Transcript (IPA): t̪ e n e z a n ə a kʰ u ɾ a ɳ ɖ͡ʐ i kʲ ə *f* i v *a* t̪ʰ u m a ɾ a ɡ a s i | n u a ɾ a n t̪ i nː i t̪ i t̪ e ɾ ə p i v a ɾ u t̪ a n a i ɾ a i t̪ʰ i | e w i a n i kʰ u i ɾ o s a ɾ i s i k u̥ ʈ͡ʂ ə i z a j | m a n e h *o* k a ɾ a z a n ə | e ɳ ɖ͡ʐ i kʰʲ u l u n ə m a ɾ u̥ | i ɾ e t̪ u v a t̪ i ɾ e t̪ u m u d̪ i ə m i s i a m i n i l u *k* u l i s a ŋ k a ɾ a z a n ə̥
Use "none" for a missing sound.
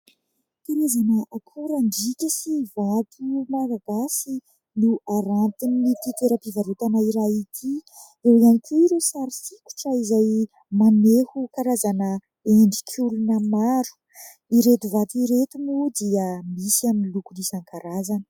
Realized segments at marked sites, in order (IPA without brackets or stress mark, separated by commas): s, a, u, k